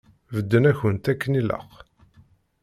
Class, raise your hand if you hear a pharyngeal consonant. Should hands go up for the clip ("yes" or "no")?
no